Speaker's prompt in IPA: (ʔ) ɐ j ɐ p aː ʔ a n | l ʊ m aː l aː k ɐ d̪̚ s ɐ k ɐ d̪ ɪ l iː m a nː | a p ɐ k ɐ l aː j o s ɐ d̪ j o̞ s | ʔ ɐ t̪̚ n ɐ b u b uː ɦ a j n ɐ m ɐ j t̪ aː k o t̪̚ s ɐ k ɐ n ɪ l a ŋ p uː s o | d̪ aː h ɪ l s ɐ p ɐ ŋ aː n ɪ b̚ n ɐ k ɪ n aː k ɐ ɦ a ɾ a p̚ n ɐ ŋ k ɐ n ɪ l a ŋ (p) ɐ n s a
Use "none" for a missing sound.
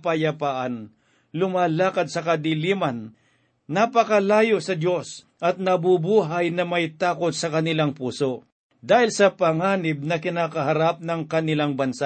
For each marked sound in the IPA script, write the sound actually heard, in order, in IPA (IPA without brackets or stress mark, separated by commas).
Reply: p, b